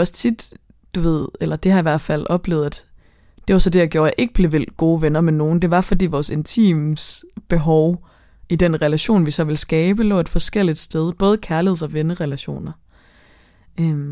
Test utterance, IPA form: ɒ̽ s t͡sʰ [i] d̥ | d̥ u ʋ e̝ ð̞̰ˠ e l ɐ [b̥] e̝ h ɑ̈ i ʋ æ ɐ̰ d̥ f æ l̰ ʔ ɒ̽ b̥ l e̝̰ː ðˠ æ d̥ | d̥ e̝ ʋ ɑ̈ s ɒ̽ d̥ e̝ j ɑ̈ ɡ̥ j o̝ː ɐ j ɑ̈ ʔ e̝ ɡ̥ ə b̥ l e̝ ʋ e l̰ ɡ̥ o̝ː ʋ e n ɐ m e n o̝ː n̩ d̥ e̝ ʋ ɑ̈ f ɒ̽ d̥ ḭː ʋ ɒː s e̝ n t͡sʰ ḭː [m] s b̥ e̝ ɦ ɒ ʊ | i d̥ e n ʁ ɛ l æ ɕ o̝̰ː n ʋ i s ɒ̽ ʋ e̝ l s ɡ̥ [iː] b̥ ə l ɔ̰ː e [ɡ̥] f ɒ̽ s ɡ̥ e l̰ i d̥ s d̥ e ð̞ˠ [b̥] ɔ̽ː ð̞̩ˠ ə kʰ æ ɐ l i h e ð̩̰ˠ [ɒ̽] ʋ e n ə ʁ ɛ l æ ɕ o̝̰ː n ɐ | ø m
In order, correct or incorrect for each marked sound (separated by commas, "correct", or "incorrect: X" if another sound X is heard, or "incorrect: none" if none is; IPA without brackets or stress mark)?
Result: correct, incorrect: d̥, correct, incorrect: ɛː, incorrect: d̥, correct, correct